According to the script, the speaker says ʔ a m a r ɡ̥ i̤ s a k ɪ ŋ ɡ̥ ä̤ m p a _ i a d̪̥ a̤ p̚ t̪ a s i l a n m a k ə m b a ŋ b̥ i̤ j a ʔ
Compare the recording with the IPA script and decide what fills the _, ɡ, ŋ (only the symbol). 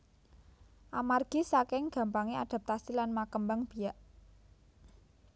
ŋ